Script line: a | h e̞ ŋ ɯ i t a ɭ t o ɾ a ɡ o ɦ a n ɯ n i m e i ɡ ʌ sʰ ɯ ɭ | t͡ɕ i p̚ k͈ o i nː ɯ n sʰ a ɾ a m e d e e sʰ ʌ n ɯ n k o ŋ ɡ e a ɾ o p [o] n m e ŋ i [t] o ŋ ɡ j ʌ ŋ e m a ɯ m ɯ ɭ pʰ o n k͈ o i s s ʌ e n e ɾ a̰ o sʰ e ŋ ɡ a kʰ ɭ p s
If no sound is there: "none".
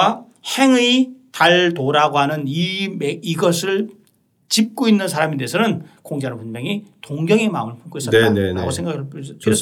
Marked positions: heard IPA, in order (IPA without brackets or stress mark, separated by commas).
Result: u, t